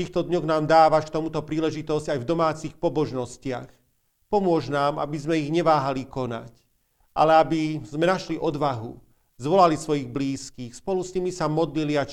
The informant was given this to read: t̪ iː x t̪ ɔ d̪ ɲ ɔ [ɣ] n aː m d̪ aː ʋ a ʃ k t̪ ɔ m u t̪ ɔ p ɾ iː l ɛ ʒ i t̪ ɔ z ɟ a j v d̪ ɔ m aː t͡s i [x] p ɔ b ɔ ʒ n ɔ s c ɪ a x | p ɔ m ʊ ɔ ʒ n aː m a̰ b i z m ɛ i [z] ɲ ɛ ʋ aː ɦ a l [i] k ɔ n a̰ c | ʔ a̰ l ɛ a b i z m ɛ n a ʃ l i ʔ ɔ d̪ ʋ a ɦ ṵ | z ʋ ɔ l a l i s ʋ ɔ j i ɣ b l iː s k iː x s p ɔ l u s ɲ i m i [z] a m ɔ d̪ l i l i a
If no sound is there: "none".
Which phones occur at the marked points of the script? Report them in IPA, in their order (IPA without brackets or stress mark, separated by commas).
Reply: ɣ, x, ɣ, i, s